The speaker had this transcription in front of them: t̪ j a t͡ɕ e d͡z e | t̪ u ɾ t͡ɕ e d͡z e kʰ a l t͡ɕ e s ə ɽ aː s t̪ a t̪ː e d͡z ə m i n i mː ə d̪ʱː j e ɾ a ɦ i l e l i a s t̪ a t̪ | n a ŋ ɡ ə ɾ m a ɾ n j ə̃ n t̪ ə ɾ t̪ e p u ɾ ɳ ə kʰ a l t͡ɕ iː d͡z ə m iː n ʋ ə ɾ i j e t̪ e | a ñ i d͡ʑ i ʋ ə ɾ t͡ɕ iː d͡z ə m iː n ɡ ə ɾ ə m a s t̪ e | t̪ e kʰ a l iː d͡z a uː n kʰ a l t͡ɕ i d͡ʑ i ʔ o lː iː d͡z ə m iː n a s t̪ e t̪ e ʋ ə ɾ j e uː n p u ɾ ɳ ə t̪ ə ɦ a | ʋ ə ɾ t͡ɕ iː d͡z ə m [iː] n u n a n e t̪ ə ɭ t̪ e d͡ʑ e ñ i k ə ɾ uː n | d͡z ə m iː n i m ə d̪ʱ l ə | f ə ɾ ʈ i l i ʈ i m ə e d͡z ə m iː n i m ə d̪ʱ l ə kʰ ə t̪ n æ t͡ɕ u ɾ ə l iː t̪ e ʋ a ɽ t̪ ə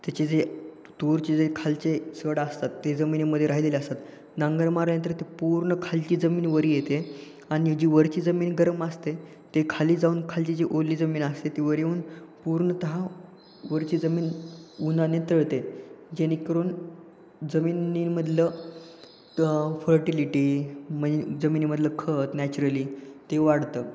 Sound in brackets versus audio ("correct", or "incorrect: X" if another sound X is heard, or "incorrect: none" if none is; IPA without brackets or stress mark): correct